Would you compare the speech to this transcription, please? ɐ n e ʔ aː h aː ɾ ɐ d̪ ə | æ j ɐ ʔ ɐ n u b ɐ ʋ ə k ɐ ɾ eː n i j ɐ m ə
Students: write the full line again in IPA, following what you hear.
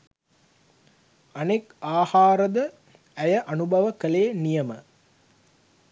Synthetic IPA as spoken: ɐ n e k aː h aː ɾ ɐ d̪ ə | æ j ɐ ʔ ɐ n u b ɐ ʋ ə k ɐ l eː n i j ɐ m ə

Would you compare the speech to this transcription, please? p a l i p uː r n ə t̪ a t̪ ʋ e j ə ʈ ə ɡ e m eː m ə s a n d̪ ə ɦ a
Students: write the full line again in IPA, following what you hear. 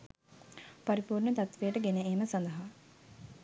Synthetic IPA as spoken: p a ɾ i p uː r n ə t̪ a t̪ ʋ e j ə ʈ ə ɡ e n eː m ə s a n d̪ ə ɦ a

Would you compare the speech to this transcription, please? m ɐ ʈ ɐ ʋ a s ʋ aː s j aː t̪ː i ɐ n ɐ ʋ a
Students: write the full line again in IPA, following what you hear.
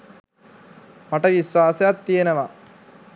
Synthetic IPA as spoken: m ɐ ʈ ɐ ʋ i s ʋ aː s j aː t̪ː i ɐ n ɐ ʋ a

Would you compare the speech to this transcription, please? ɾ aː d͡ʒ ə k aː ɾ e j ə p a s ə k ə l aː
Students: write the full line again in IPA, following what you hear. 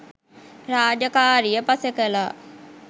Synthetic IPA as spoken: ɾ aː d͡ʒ ə k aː ɾ i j ə p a s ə k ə l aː

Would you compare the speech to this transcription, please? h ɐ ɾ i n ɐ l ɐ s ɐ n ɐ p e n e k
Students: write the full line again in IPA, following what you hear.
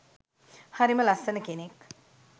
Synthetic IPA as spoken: h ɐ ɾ i m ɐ l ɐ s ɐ n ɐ k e n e k

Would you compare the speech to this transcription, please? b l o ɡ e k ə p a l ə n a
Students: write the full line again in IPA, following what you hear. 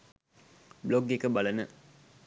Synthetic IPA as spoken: b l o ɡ e k ə b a l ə n ə

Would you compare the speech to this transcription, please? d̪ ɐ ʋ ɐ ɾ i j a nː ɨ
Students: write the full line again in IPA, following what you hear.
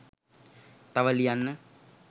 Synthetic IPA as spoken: t̪ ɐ ʋ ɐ l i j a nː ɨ

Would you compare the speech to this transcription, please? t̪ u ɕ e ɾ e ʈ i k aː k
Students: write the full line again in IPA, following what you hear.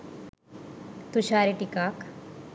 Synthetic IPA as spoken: t̪ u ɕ a ɾ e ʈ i k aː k

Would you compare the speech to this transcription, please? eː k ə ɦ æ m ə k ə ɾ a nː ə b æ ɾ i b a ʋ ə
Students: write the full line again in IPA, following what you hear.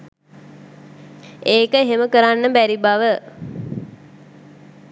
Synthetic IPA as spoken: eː k ə ɦ e m ə k ə ɾ a nː ə b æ ɾ i b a ʋ ə

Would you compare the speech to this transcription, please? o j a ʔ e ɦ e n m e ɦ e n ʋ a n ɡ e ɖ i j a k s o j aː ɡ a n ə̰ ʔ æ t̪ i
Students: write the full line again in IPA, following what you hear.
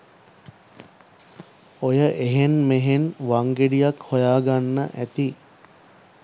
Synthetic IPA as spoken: o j ə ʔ e ɦ e n m e ɦ e n ʋ a ŋ ɡ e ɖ i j a k h o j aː ɡ a nː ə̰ ʔ æ t̪ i

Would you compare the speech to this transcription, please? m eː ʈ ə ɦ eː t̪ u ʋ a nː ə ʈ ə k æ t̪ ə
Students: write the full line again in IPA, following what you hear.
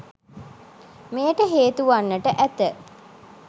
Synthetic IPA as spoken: m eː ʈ ə ɦ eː t̪ u ʋ a nː ə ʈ ə ʔ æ t̪ ə

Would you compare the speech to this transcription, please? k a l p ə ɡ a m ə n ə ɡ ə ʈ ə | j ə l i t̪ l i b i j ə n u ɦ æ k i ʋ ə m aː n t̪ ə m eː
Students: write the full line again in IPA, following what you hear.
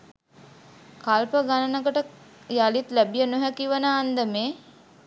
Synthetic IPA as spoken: k a l p ə ɡ a n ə n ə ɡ ə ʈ ə | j a l i t̪ l æ b i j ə n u ɦ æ k i ʋ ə n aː n d̪ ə m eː

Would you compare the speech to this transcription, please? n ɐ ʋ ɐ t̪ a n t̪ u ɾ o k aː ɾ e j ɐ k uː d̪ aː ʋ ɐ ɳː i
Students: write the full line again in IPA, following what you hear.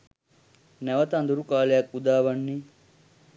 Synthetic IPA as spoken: n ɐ ʋ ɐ t̪ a n d̪ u ɾ u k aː l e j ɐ k u d̪ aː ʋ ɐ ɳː i

